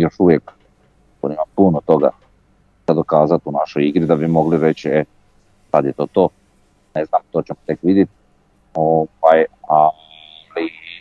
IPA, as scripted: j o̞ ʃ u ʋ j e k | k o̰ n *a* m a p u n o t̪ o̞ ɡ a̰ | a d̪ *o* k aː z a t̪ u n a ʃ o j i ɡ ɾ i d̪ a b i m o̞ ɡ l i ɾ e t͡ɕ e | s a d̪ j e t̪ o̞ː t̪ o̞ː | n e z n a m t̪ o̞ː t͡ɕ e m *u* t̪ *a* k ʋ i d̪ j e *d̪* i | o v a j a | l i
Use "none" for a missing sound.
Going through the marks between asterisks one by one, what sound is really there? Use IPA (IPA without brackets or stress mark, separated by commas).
i, o, o, e, t̪